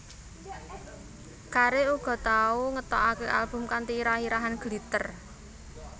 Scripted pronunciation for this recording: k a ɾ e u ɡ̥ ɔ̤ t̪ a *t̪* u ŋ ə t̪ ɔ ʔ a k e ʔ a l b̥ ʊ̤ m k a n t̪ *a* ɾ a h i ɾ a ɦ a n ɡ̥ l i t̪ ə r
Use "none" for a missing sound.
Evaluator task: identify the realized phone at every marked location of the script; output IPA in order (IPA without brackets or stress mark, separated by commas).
none, i